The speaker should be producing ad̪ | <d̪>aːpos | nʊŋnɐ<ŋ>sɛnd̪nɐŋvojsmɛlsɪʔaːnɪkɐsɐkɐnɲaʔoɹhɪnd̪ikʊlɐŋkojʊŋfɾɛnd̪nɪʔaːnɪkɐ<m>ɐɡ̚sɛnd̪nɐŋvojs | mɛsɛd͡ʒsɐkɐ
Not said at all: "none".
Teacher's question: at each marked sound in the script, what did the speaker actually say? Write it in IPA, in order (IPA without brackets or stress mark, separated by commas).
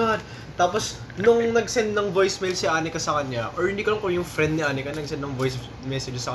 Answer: t̪, ɡ, n